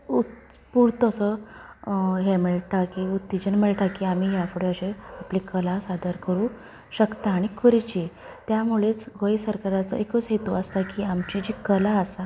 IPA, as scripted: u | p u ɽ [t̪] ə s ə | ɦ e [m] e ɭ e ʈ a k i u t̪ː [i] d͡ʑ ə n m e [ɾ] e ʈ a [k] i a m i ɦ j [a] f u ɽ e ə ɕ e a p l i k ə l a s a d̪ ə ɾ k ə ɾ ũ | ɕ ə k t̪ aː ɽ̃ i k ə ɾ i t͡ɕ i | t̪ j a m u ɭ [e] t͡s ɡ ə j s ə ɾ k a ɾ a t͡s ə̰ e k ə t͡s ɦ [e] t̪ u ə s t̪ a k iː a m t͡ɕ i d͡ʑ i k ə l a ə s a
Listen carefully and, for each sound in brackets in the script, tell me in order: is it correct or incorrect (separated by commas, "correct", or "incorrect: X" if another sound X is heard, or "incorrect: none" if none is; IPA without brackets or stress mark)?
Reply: correct, correct, correct, incorrect: ɭ, correct, correct, correct, correct